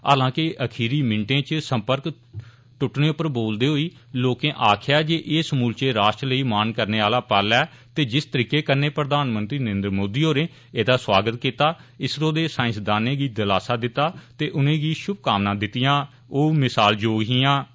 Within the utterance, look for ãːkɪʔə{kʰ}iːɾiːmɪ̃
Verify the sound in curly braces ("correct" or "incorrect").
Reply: correct